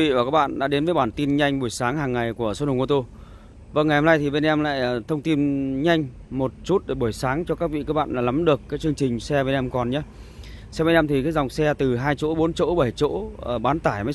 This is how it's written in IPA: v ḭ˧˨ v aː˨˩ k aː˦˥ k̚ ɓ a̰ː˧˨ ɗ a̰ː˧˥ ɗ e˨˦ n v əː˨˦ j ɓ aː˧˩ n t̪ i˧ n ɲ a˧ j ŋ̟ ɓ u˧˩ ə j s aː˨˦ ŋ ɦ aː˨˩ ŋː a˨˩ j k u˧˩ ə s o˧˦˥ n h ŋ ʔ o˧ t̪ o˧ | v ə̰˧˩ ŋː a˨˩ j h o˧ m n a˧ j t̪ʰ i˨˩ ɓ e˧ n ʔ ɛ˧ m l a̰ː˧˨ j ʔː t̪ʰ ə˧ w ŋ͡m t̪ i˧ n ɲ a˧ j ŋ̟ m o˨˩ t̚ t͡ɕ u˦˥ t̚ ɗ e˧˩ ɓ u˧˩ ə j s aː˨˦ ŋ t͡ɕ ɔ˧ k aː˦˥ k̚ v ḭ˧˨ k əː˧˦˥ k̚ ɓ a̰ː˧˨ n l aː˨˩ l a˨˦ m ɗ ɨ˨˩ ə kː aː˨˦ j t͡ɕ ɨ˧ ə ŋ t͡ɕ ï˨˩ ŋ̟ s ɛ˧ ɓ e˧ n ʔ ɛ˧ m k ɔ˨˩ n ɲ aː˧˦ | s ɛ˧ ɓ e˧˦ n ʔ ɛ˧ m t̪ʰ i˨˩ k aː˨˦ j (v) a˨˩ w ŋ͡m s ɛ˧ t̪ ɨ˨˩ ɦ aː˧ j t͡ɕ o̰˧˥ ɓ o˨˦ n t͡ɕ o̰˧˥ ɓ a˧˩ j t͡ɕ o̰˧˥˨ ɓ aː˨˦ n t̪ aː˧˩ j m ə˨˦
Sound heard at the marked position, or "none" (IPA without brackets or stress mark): z